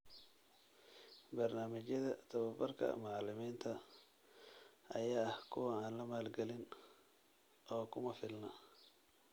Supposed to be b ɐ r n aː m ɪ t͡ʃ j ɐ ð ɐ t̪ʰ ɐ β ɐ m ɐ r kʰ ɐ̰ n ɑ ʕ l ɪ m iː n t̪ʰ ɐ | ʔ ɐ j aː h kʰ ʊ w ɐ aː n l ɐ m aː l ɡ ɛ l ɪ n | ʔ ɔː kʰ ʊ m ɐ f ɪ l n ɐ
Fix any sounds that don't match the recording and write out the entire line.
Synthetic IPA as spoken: b ɐ r n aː m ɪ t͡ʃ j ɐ ð ɐ t̪ʰ ɐ β ɐ b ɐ r kʰ ɐ̰ m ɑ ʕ l ɪ m iː n t̪ʰ ɐ | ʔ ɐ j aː h kʰ ʊ w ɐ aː n l ɐ m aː l ɡ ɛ l ɪ n | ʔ ɔː kʰ ʊ m ɐ f ɪ l n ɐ

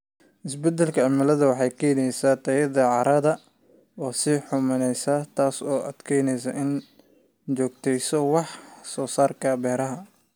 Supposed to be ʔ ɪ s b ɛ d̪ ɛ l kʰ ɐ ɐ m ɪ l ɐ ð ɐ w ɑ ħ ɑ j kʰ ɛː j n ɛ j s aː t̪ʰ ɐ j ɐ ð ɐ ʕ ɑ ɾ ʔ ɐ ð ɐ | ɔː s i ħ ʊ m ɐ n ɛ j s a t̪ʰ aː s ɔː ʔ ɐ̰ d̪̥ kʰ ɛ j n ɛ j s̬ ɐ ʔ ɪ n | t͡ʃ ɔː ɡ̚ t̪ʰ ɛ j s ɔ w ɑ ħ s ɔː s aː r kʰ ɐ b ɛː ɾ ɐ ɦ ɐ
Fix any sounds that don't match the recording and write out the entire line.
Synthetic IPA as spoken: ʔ ɪ s b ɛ d̪ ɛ l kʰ ɐ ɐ m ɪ l ɐ ð ɐ w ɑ ħ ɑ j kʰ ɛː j n ɛ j s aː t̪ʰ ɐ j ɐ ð ɐ ʕ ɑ ɾ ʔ ɐ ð ɐ | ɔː s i ħ ʊ m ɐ n ɛ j s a t̪ʰ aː s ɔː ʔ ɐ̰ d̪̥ kʰ ɛ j n ɛ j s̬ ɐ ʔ ɪ n | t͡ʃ ɔː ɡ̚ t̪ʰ ɛ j s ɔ w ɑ ħ s ɔː s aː r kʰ ɐ b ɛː ɾ ɐ ɦ ɐ

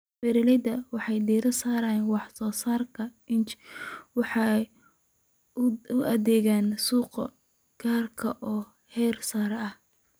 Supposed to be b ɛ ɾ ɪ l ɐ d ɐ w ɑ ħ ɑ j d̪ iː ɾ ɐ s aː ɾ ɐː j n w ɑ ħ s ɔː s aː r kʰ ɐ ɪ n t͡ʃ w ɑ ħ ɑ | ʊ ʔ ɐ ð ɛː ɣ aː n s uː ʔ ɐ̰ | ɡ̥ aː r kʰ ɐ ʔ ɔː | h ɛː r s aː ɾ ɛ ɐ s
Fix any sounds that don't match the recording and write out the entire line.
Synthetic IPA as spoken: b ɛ ɾ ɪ l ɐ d ɐ w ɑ ħ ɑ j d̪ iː ɾ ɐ s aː ɾ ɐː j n w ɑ ħ s ɔː s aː r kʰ ɐ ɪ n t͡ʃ w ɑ ħ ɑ | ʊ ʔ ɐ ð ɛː ɣ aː n s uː q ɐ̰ | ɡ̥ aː r kʰ ɐ ʔ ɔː | h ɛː r s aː ɾ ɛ ɐ h

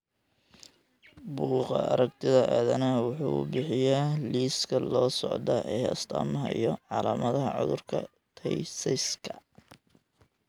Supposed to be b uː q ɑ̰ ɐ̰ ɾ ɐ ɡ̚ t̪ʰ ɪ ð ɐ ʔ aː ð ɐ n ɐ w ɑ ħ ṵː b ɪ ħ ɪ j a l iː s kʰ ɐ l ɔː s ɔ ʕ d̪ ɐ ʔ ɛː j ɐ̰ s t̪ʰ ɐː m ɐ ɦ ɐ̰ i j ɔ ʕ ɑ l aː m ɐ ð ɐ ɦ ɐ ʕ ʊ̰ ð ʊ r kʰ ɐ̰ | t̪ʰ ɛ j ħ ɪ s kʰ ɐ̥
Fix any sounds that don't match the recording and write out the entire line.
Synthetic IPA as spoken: b uː q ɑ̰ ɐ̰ ɾ ɐ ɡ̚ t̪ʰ ɪ ð ɐ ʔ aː ð ɐ n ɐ w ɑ ħ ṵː b ɪ ħ ɪ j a l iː s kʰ ɐ l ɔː s ɔ ʕ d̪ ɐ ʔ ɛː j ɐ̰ s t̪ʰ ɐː m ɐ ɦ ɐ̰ i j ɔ ʕ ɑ l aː m ɐ ð ɐ ɦ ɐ ʕ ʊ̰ ð ʊ r kʰ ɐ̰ | t̪ʰ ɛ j s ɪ s kʰ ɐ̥

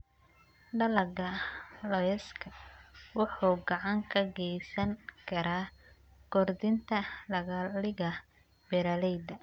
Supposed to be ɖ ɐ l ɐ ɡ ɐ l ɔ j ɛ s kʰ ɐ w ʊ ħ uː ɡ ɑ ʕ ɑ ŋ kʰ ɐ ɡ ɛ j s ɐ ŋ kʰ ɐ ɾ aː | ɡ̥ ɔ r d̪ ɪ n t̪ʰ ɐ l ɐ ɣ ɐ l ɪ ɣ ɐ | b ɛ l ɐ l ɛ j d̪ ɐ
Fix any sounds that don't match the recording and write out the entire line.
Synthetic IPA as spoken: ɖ ɐ l ɐ ɡ ɐ l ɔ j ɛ s kʰ ɐ w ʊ ħ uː ɡ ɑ ʕ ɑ ŋ kʰ ɐ ɡ ɛ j s ɐ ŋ kʰ ɐ ɾ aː | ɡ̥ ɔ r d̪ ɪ n t̪ʰ ɐ l ɐ ɣ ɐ l ɪ ɣ ɐ | b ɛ ɾ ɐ l ɛ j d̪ ɐ

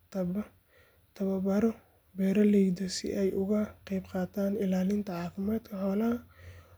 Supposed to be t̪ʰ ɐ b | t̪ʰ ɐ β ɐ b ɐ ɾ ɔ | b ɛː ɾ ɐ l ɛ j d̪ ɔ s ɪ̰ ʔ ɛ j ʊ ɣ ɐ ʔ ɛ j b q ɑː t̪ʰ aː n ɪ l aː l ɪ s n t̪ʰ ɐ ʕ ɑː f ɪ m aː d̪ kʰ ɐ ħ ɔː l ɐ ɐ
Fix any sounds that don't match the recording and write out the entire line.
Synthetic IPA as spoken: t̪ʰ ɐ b | t̪ʰ ɐ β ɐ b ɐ ɾ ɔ | b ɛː ɾ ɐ l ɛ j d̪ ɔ s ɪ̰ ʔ ɛ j ʊ ɣ ɐ q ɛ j b q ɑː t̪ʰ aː n ɪ l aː l ɪ n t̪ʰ ɐ ʕ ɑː f ɪ m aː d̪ kʰ ɐ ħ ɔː l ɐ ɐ

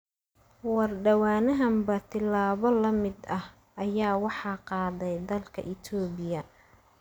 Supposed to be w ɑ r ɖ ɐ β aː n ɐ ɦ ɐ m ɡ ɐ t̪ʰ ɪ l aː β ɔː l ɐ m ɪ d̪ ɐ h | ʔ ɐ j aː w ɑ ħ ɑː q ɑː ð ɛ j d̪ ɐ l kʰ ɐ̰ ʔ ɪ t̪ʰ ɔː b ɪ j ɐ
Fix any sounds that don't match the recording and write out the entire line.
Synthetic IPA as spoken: w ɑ r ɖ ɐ w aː n ɐ ɦ ɐ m b ɐ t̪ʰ ɪ l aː β ɔ l ɐ m ɪ d̪ ɐ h | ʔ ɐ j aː w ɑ ħ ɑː q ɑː ð ɛ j d̪ ɐ l kʰ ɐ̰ ʔ ɪ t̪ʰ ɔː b ɪ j ɐ

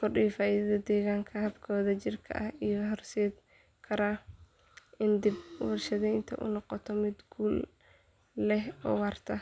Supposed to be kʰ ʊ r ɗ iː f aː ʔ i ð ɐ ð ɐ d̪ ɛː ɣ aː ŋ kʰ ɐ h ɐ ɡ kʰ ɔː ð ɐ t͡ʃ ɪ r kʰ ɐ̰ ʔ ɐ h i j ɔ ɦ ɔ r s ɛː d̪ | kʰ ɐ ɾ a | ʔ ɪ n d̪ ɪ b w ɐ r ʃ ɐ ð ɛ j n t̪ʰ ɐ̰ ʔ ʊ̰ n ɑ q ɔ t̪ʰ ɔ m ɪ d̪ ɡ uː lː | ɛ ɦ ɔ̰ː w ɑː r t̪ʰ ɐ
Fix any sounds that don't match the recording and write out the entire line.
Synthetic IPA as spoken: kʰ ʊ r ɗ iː f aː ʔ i ð ɐ ð ɐ d̪ ɛː ɣ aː ŋ kʰ ɐ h ɐ b kʰ ɔː ð ɐ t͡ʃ ɪ r kʰ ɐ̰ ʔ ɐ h i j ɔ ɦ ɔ r s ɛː d̪ | kʰ ɐ ɾ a | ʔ ɪ n d̪ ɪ b w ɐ r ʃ ɐ ð ɛ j n t̪ʰ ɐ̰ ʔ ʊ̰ n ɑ q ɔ t̪ʰ ɔ m ɪ d̪ ɡ uː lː | ɛ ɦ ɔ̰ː w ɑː r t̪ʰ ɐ

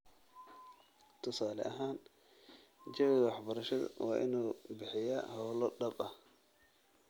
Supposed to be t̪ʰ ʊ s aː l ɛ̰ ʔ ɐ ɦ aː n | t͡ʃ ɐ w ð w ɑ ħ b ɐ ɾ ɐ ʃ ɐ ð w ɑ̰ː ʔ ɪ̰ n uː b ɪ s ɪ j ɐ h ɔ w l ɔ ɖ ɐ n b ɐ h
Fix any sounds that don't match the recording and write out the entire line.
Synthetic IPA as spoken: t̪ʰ ʊ s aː l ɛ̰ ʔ ɐ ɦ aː n | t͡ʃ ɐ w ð w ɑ ħ b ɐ ɾ ɐ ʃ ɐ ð w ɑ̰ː ʔ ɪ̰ n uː b ɪ ħ ɪ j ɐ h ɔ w l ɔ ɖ ɐ b ɐ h

